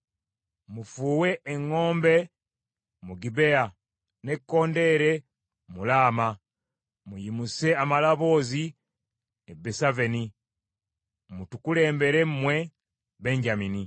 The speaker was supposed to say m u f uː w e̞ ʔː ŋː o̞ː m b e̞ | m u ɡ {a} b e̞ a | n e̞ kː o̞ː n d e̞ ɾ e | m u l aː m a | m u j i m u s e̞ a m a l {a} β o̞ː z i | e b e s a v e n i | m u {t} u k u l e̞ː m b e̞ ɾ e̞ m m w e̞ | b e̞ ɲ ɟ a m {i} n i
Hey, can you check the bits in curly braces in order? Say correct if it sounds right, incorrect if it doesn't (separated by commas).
incorrect, correct, correct, correct